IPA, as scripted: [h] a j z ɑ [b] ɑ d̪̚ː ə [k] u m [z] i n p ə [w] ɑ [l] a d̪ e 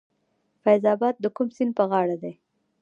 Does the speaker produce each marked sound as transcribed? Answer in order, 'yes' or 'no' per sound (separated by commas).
no, yes, yes, no, no, no